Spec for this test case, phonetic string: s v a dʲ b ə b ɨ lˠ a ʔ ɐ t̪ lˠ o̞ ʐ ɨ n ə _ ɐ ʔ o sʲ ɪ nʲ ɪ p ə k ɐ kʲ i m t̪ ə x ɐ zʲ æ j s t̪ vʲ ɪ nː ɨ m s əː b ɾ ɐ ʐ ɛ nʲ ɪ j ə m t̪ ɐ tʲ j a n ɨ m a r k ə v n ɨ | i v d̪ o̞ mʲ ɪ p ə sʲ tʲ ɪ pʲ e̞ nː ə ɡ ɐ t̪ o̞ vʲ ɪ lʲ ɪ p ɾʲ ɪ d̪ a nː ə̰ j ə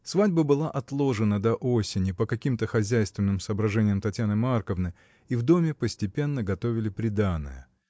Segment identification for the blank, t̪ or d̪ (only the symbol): d̪